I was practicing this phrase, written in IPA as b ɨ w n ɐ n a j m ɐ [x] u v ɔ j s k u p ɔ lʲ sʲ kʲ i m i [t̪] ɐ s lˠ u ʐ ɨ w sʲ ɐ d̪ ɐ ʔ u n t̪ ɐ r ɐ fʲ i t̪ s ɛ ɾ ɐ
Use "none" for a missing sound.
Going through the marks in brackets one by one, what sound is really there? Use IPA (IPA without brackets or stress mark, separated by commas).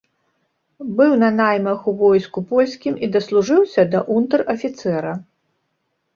x, d̪